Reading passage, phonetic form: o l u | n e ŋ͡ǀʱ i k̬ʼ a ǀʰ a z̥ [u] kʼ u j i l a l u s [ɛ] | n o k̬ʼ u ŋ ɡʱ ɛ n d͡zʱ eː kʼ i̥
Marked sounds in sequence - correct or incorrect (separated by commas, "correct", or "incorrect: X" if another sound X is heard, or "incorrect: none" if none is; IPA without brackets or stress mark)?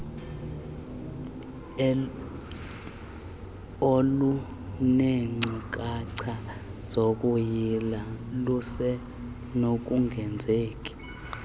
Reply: incorrect: o, correct